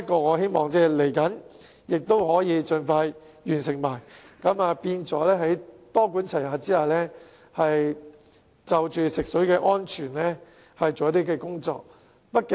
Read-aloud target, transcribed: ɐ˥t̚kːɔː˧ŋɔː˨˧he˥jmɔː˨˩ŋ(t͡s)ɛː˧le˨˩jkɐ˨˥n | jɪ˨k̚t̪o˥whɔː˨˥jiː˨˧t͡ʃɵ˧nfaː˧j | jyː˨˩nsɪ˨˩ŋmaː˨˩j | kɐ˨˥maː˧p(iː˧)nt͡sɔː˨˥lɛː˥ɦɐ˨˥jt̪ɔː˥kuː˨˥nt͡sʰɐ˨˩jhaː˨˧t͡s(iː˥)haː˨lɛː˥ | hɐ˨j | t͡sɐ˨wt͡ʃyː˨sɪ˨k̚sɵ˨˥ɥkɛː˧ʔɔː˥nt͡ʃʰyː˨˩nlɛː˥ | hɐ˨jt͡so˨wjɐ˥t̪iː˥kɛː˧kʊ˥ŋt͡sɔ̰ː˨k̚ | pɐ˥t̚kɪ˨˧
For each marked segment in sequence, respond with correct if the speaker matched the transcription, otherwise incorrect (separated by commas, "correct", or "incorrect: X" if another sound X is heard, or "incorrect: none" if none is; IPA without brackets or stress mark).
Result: correct, correct, correct